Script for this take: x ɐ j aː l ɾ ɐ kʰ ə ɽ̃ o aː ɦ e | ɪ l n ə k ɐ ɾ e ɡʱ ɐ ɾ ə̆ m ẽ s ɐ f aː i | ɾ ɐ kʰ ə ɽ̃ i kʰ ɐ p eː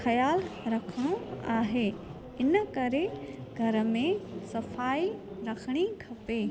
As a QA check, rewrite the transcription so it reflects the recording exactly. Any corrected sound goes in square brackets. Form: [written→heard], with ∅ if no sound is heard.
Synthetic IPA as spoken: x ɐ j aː l ɾ ɐ kʰ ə ɽ̃ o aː ɦ e | ɪ [l→∅] n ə k ɐ ɾ e ɡʱ ɐ ɾ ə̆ m ẽ s ɐ f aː i | ɾ ɐ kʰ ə ɽ̃ i kʰ ɐ p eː